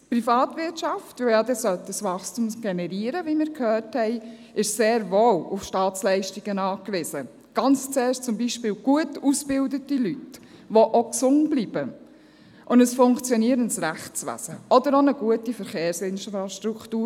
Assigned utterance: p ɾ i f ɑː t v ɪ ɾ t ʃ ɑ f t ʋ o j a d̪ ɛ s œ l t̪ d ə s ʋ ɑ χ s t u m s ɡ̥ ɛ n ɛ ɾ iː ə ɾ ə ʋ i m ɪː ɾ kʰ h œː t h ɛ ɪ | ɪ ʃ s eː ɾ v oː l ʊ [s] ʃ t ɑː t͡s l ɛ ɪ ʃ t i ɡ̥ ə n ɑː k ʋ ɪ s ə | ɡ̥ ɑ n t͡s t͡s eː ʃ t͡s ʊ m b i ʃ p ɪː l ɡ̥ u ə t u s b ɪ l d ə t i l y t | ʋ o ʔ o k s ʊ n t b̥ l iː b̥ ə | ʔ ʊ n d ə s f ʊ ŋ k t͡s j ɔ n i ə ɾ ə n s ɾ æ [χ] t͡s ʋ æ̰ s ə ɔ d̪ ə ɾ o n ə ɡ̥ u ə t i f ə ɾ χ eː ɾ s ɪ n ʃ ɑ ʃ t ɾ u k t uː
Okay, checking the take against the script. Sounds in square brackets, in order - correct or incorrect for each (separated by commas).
incorrect, correct